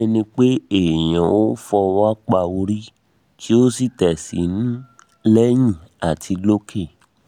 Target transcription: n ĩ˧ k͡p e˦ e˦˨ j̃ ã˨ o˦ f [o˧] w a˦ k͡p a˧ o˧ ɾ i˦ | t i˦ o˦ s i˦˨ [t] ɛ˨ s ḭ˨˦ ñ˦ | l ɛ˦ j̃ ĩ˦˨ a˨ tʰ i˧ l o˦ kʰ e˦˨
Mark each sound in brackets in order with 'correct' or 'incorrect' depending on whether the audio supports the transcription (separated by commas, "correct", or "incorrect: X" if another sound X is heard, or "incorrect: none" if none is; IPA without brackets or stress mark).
incorrect: ɔ˧, correct